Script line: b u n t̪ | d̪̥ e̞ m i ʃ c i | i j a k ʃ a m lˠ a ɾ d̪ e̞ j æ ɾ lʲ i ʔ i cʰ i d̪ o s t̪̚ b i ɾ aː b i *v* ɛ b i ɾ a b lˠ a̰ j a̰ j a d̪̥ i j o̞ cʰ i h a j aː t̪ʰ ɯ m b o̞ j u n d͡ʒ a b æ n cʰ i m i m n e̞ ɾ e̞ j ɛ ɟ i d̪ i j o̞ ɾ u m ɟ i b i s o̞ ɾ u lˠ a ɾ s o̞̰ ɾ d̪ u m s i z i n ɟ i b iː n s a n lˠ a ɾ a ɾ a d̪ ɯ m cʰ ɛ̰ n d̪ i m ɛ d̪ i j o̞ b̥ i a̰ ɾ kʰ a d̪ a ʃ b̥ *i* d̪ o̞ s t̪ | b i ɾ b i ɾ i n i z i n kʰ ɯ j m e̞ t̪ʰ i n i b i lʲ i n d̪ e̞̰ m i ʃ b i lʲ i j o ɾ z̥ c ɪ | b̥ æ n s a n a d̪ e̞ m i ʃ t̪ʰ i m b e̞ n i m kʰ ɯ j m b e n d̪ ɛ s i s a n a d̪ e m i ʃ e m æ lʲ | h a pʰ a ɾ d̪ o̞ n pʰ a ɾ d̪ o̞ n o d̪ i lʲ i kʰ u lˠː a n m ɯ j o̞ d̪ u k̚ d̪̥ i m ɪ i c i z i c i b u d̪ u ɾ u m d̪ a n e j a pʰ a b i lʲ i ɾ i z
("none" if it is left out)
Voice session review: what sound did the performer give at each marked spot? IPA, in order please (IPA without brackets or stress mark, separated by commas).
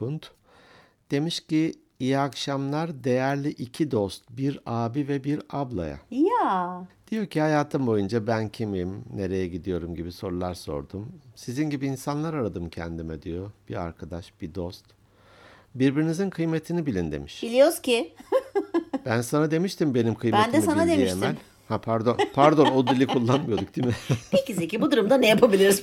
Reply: v, i